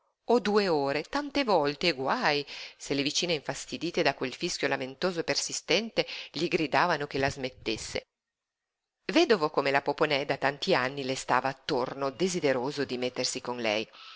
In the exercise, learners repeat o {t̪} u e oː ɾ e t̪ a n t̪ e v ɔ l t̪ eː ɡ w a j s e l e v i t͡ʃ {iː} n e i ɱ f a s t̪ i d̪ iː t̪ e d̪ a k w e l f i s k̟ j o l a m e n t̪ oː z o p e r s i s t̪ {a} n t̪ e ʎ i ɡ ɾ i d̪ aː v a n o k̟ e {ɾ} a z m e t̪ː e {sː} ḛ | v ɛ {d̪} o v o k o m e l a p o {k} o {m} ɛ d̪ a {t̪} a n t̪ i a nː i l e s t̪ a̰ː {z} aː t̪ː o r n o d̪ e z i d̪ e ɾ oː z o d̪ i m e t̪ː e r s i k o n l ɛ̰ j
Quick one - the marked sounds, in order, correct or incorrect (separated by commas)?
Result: incorrect, correct, incorrect, incorrect, correct, correct, incorrect, incorrect, correct, incorrect